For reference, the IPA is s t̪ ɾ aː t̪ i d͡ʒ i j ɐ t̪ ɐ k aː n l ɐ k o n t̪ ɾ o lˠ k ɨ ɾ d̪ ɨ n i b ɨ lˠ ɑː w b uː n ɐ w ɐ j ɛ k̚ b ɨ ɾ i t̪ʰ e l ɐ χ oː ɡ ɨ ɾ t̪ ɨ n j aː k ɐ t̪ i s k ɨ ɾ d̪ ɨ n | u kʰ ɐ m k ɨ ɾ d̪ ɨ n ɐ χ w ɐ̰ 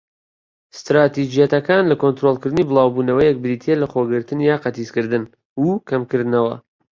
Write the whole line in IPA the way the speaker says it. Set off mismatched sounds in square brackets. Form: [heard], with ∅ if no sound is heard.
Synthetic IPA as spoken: s t̪ ɾ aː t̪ i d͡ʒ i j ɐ t̪ ɐ k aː n l ɐ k o n t̪ ɾ o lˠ k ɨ ɾ d̪ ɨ n i b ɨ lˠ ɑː w b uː n ɐ w ɐ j ɛ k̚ b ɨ ɾ i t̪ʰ e l ɐ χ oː ɡ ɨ ɾ t̪ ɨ n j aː [q] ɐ t̪ i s k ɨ ɾ d̪ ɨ n | u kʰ ɐ m k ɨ ɾ d̪ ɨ n ɐ [∅] w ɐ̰